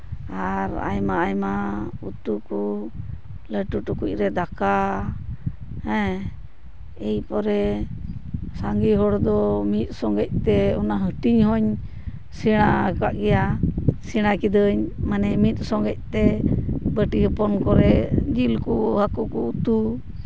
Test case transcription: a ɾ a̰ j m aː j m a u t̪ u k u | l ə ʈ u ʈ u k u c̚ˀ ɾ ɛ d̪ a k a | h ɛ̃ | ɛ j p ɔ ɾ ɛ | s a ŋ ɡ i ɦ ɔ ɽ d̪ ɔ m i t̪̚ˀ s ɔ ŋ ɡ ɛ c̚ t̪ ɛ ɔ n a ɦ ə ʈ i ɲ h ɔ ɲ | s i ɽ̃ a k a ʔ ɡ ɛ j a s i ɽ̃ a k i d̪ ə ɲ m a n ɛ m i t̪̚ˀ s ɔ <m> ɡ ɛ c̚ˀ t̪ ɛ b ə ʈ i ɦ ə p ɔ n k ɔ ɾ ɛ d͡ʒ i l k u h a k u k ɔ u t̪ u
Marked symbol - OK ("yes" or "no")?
no